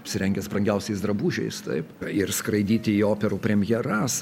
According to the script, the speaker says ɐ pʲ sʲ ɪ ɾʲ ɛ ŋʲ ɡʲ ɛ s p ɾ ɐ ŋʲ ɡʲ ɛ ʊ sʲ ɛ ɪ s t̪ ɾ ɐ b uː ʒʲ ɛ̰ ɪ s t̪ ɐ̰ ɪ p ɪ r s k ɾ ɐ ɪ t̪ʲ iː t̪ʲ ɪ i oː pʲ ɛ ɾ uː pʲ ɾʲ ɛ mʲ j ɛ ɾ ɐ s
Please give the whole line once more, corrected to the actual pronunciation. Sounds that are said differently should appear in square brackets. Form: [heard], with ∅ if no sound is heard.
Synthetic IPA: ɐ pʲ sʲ ɪ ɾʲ ɛ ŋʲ ɡʲ ɛ s p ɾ ɐ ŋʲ ɡʲ ɛ ʊ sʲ ɛ ɪ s [d̪] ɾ ɐ b uː ʒʲ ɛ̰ ɪ s t̪ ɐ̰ ɪ p ɪ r s k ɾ ɐ ɪ [d̪ʲ] iː t̪ʲ ɪ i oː pʲ ɛ ɾ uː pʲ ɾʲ ɛ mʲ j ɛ ɾ ɐ s